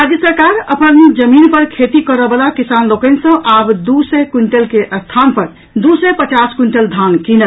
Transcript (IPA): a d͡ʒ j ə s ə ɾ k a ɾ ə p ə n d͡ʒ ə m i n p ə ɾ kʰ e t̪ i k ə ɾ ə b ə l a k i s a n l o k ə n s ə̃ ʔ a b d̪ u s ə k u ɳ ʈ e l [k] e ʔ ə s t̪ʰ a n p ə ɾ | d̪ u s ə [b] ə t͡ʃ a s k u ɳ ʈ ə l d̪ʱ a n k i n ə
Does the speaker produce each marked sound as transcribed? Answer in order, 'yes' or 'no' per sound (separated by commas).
yes, no